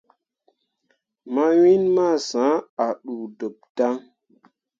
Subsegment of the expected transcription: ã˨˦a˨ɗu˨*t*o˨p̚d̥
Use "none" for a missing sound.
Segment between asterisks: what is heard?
d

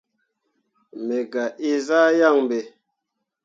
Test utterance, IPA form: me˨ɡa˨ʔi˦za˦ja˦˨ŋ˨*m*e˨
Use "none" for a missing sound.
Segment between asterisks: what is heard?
b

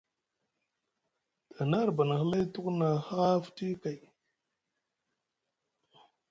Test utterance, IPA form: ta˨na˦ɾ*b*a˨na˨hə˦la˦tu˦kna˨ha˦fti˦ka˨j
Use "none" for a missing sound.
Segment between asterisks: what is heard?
b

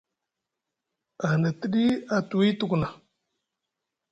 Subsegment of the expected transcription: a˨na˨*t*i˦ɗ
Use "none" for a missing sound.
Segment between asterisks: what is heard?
t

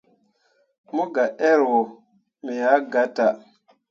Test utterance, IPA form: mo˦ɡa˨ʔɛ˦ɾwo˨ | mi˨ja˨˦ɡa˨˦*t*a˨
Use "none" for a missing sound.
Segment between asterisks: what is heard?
t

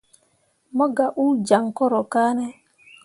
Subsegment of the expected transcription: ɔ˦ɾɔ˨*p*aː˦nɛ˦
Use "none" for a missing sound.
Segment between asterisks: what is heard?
k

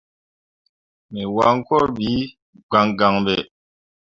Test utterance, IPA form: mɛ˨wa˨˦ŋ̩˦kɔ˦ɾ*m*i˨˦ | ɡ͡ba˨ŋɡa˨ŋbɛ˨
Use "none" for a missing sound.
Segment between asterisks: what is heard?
b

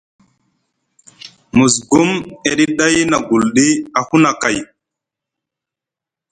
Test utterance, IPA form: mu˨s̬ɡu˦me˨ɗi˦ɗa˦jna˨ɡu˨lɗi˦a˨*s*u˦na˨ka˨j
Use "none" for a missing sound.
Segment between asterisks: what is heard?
h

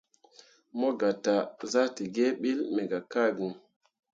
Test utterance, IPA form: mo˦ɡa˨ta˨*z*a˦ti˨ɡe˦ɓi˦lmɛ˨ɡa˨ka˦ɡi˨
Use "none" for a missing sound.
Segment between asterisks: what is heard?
z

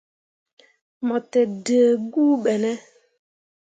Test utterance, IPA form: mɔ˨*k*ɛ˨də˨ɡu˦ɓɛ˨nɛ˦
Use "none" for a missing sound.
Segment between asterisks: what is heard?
t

